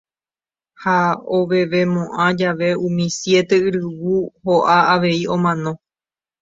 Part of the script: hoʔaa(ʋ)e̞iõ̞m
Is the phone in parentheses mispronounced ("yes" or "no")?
no